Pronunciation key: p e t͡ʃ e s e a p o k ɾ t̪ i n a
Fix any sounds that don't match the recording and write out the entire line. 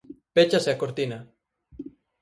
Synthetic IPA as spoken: p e t͡ʃ a s e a k o ɾ t̪ i n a